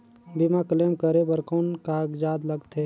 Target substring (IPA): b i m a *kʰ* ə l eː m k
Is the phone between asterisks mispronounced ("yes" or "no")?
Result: yes